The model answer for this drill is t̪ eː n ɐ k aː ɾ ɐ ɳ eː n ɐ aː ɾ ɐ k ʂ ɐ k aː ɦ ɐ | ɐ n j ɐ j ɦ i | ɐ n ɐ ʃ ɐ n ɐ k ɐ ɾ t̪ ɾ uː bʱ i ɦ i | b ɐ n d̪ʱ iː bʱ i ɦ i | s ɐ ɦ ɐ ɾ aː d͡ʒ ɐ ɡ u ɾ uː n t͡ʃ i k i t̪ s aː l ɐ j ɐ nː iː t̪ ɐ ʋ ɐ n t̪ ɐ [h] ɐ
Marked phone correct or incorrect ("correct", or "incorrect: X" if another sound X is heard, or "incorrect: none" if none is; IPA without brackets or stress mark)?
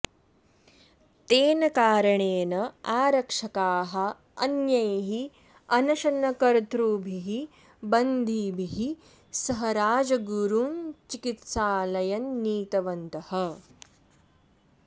correct